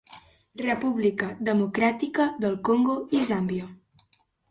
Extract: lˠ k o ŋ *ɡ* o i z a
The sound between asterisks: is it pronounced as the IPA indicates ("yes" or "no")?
yes